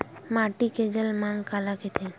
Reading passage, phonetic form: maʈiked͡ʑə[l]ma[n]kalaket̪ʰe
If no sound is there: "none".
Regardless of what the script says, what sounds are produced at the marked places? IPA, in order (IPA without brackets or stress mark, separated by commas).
l, ŋ